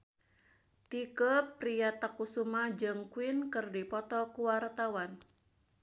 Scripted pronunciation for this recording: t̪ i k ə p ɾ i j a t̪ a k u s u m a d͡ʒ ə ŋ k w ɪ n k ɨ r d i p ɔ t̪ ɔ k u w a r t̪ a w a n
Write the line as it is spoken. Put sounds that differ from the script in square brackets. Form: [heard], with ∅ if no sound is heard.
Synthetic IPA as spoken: t̪ i k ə p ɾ i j a t̪ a k u s u m a d͡ʒ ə ŋ k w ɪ n k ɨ r d i p ɔ t̪ ɔ k u w a r t̪ a w a n